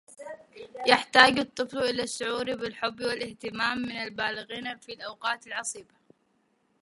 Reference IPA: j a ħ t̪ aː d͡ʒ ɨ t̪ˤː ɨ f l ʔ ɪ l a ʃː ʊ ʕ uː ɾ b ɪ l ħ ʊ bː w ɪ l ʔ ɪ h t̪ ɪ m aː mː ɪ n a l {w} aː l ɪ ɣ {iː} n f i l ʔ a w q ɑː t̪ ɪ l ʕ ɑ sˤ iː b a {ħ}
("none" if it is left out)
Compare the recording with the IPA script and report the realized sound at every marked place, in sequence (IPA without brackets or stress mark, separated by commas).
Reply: b, iː, none